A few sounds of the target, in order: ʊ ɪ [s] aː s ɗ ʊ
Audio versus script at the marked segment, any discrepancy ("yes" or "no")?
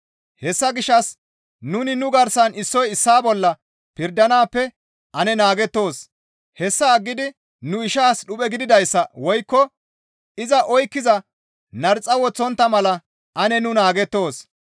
yes